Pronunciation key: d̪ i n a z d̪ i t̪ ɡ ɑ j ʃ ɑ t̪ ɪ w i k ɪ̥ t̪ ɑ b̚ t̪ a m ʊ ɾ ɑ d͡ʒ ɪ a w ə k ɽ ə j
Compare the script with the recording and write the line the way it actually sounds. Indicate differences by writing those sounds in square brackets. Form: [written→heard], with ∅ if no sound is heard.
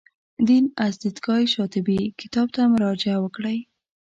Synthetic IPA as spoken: d̪ i n a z d̪ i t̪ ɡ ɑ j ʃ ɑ t̪ ɪ [w→b] i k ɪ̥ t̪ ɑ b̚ t̪ a m ʊ ɾ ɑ d͡ʒ ɪ a w ə k ɽ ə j